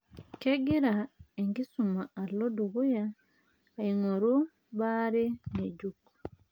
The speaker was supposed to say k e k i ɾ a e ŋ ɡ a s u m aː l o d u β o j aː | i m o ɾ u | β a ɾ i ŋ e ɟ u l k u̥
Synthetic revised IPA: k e ɡ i ɾ a e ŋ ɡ i s u m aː l o d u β u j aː | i ŋ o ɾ u | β a ɾ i n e ɟ u k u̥